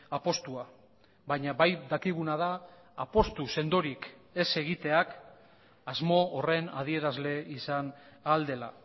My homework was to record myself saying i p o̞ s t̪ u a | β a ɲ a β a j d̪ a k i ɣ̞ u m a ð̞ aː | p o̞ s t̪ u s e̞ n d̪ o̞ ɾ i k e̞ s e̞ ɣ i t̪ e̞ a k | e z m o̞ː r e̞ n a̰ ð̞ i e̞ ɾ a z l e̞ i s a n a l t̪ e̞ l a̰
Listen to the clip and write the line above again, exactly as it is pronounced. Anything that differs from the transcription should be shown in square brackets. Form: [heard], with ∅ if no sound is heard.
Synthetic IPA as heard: [a] p o̞ s t̪ u a | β a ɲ a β a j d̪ a k i ɣ̞ u [n] a ð̞ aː | p o̞ s t̪ u s e̞ n d̪ o̞ ɾ i k e̞ s e̞ ɣ i t̪ e̞ a k | [a] z m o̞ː r e̞ n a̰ ð̞ i e̞ ɾ a z l e̞ i s a n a l [d̪] e̞ l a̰